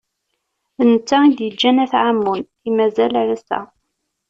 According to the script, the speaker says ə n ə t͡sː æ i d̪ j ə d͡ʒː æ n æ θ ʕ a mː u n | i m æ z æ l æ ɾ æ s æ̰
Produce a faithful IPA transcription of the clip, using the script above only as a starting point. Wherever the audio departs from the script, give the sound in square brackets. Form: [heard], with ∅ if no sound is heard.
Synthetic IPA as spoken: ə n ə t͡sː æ i d̪ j ə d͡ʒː æ n æ θ ʕ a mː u n | i m æ z æ l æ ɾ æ s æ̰